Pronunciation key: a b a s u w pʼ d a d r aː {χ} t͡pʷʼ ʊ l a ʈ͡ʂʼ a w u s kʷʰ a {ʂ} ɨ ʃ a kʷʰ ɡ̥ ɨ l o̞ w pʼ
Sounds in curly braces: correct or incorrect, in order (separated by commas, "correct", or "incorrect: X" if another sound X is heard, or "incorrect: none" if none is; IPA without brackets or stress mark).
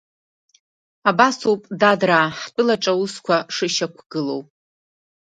incorrect: ħ, correct